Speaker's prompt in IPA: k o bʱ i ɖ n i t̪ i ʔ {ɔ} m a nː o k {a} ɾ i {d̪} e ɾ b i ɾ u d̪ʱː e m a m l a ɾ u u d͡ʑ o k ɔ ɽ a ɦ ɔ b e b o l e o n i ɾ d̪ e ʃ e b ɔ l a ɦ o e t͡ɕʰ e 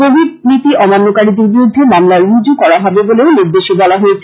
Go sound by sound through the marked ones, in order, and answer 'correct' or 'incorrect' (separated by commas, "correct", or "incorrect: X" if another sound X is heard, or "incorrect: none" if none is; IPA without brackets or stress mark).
correct, correct, correct